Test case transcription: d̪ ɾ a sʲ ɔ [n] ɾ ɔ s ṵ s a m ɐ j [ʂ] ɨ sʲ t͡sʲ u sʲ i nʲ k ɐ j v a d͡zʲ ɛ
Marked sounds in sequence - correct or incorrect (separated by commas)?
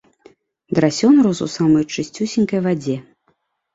correct, incorrect